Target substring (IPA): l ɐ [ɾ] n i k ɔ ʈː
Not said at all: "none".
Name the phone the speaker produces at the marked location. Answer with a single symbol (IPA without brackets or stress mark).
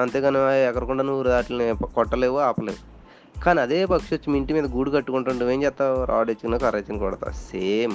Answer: none